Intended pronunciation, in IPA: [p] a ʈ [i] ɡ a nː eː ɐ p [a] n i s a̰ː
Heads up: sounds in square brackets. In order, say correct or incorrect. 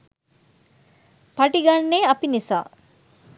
correct, correct, incorrect

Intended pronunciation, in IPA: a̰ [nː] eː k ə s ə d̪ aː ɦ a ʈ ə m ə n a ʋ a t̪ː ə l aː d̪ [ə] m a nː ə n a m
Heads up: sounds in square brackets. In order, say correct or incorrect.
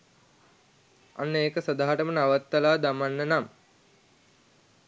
correct, incorrect

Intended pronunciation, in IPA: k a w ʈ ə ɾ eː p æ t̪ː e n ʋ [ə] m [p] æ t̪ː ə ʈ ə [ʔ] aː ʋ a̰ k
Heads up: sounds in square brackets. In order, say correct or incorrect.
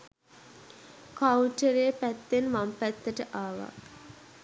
incorrect, correct, correct

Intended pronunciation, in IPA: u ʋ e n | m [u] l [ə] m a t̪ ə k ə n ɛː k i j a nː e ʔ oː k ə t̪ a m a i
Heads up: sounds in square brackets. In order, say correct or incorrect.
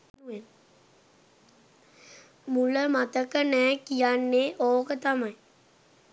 correct, correct

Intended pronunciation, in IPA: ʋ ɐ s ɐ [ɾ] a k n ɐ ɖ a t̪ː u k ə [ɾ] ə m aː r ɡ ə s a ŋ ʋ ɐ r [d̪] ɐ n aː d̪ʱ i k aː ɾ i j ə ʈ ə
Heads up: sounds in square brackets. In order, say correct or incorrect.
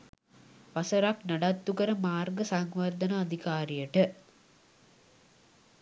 correct, correct, correct

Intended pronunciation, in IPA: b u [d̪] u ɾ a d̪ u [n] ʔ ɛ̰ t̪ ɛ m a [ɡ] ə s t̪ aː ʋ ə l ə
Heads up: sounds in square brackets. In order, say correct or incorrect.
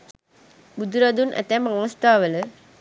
correct, correct, incorrect

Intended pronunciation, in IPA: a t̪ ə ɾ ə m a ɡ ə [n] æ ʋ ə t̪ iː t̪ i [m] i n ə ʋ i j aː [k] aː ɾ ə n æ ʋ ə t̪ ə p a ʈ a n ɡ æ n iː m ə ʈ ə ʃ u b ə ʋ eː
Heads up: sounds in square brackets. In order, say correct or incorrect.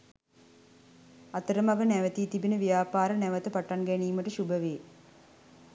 correct, incorrect, incorrect

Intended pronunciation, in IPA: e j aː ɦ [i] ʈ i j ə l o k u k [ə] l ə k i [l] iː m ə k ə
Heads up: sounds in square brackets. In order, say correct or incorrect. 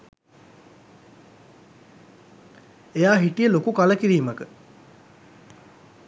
correct, incorrect, incorrect

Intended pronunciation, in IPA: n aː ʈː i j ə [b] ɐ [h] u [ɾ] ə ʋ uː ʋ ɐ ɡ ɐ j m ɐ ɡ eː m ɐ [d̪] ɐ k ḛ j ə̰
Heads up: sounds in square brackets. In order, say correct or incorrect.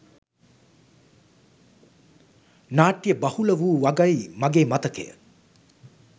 correct, correct, incorrect, incorrect

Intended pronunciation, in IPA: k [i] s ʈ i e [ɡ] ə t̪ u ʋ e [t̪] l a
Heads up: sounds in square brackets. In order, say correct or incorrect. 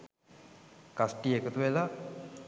incorrect, incorrect, incorrect

